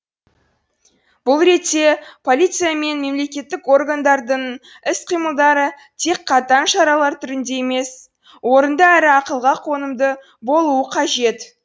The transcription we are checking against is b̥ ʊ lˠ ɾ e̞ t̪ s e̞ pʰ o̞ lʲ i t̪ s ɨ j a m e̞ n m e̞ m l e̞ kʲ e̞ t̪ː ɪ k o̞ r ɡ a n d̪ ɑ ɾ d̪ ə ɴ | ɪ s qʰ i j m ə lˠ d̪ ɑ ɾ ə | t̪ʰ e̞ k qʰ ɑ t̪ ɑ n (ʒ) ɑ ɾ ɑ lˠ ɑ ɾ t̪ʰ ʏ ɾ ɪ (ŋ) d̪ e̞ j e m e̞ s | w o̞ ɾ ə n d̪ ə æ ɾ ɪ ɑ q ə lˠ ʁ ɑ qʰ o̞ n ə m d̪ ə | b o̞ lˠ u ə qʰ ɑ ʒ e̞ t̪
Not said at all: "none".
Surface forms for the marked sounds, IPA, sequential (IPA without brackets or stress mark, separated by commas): ʃ, n